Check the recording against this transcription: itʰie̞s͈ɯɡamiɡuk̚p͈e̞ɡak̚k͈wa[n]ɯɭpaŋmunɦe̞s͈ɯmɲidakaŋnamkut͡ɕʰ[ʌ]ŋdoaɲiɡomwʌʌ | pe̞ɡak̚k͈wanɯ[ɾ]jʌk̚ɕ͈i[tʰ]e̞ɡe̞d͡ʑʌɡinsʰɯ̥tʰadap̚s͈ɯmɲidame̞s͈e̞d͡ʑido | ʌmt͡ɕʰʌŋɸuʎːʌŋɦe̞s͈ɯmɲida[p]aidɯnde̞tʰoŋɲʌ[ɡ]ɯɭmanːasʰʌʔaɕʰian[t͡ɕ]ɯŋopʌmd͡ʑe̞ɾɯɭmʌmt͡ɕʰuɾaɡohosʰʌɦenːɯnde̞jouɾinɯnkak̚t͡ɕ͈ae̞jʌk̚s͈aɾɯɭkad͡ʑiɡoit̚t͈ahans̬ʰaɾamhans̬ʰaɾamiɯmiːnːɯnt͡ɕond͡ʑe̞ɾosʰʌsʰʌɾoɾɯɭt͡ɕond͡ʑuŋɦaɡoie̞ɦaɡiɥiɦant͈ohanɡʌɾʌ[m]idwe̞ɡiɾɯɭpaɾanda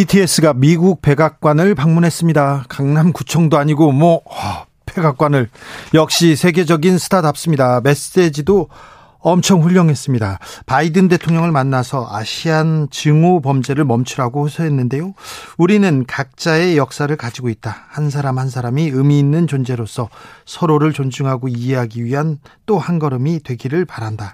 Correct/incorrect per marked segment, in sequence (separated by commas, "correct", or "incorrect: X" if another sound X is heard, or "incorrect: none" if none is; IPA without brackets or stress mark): correct, correct, incorrect: ɭ, incorrect: sʰ, correct, incorrect: ŋ, correct, correct